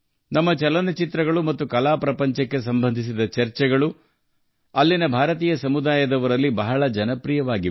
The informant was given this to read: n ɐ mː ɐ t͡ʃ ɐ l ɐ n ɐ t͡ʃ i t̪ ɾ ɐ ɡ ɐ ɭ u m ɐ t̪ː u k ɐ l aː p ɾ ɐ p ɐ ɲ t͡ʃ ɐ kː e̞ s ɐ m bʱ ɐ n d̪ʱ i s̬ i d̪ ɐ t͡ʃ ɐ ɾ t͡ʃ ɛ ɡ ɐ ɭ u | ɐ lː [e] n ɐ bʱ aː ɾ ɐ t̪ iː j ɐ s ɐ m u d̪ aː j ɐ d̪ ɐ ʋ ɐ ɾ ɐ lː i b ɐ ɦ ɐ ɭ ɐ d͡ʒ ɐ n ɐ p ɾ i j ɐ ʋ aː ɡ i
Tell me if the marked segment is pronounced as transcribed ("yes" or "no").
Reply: no